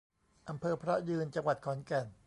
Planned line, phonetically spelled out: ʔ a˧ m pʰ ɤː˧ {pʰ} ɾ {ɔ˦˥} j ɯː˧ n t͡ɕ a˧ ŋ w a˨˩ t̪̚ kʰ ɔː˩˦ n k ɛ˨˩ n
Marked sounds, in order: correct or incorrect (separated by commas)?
correct, correct